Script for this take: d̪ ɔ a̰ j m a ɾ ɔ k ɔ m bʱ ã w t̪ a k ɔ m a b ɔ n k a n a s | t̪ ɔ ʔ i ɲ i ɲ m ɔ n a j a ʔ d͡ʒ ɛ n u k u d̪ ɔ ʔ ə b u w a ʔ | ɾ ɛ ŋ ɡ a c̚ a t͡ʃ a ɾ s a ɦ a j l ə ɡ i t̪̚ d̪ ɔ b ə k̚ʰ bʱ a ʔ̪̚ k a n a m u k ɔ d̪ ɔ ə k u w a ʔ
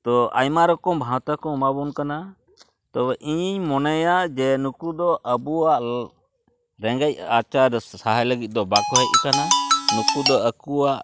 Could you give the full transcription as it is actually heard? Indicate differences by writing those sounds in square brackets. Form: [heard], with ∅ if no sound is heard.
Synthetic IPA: [t̪] ɔ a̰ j m a ɾ ɔ k ɔ m bʱ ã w t̪ a k ɔ m a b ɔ n k a n a [∅] | t̪ ɔ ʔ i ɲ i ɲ m ɔ n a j a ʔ d͡ʒ ɛ n u k u d̪ ɔ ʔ ə b u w a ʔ | ɾ ɛ ŋ ɡ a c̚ a t͡ʃ a ɾ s a ɦ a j l ə ɡ i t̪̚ d̪ ɔ b [a] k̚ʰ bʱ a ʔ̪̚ k a n a [n] u k [u] d̪ ɔ ə k u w a ʔ